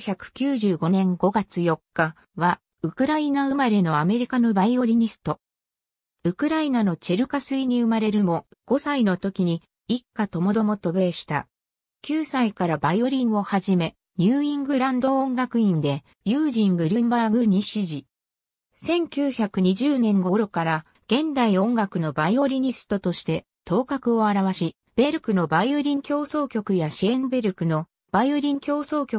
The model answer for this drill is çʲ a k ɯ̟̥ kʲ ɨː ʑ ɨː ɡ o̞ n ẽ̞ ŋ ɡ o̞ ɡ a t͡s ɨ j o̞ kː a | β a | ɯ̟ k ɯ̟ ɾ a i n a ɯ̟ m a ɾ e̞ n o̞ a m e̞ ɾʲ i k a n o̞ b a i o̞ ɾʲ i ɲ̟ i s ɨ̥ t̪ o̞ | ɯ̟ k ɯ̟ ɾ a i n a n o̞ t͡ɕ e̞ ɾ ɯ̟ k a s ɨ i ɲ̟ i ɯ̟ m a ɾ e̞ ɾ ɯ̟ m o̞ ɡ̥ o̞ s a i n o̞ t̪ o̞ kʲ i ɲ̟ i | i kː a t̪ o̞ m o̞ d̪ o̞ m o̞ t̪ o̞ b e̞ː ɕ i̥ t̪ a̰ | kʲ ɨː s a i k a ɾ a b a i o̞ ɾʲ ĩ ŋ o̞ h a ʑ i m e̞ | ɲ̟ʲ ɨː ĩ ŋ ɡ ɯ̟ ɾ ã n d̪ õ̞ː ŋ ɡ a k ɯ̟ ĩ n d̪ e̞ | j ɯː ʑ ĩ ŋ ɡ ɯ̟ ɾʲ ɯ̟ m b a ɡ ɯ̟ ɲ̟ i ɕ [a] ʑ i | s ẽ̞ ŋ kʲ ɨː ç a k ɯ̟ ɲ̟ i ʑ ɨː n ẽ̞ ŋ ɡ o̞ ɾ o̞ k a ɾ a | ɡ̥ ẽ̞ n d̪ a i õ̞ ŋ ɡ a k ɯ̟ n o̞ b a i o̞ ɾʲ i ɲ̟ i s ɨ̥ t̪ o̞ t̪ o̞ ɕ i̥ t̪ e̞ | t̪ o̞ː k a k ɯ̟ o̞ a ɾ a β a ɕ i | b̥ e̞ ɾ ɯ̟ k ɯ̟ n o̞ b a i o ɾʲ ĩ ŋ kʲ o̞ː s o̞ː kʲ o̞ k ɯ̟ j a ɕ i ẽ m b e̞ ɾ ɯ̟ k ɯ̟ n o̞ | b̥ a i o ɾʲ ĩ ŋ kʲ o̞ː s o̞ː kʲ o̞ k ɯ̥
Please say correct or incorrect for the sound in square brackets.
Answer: incorrect